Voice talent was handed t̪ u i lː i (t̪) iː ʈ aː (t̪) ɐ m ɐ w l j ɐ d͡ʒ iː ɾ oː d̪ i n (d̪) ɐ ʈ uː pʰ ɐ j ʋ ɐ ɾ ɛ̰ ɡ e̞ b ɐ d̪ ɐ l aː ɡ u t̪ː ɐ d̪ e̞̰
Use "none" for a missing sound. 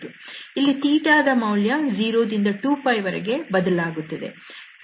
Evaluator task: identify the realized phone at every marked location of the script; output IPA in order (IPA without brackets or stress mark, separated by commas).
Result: t̪, d̪, d̪